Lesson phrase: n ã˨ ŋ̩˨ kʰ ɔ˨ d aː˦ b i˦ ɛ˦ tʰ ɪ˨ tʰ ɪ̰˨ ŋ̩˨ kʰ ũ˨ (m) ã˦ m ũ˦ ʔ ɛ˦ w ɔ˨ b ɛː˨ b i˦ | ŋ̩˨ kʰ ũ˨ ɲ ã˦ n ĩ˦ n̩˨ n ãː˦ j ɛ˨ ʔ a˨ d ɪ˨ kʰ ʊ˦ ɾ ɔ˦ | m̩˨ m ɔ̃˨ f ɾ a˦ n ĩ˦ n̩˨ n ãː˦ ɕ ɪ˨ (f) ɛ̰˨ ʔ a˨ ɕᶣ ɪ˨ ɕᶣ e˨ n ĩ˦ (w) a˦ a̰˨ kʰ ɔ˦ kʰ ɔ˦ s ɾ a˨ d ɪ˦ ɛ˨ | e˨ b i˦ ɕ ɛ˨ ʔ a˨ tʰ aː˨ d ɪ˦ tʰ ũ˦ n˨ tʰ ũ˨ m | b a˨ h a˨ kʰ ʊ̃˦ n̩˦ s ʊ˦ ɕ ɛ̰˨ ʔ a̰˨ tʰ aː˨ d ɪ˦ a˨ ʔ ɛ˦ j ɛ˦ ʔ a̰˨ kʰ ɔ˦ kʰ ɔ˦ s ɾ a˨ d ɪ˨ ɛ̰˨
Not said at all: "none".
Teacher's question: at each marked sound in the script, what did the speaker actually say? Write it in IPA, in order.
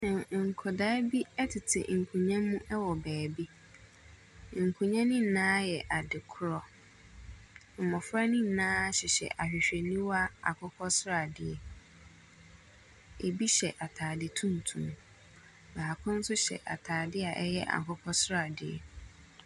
ɲ, ɕ, w

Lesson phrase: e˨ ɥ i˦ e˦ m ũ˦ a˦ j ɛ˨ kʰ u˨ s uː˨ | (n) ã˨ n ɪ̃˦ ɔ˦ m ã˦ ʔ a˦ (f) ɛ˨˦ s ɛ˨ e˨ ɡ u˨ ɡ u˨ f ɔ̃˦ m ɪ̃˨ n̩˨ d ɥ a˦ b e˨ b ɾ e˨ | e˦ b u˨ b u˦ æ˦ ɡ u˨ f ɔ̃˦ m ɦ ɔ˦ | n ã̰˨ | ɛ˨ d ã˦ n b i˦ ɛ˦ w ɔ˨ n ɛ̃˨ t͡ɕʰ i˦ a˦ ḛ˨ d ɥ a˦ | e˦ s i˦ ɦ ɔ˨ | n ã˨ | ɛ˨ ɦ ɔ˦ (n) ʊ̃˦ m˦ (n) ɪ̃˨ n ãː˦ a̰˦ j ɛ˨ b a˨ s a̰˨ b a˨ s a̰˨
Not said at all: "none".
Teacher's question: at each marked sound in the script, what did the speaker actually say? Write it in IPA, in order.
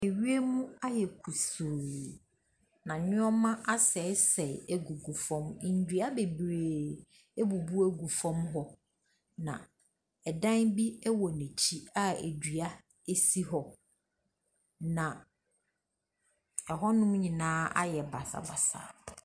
n, s, n, ɲ

